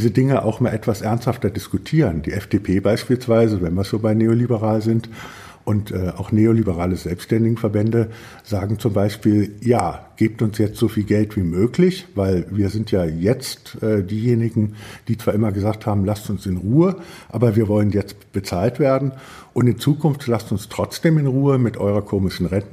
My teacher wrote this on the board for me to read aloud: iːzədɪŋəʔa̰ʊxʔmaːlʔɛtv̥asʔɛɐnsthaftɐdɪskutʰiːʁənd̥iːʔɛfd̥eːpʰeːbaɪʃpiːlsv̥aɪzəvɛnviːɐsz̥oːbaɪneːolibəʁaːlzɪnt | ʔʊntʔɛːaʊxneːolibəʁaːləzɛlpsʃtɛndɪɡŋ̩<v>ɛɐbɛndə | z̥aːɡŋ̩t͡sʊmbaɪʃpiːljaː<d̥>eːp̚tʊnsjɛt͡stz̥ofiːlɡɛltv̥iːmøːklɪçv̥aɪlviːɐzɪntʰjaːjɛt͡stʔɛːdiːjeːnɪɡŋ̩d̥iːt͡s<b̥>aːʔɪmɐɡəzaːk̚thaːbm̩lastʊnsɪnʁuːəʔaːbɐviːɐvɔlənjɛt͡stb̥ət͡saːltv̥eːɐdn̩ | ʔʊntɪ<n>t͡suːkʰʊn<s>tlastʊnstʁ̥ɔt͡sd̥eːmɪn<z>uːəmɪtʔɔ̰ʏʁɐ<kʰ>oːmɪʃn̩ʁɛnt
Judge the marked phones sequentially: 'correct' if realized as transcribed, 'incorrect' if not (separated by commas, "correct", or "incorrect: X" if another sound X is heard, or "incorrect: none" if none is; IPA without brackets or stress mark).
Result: incorrect: f, incorrect: ɡ̥, incorrect: v̥, correct, incorrect: f, incorrect: ʁ, correct